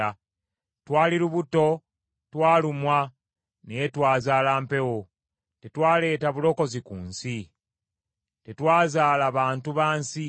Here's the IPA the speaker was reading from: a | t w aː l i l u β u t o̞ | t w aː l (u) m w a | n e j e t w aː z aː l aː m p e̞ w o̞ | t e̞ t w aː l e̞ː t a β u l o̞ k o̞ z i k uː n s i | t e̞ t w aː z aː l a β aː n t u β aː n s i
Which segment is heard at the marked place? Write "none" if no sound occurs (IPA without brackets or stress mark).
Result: u